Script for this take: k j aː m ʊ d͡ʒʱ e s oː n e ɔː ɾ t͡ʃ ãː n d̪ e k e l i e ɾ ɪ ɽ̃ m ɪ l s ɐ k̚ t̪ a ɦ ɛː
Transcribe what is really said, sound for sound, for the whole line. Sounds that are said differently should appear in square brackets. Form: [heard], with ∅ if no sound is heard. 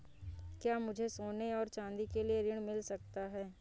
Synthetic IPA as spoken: k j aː m ʊ d͡ʒʱ e s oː n e ɔː ɾ t͡ʃ ãː n d̪ [i] k e l i e ɾ ɪ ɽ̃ m ɪ l s ɐ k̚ t̪ a ɦ ɛː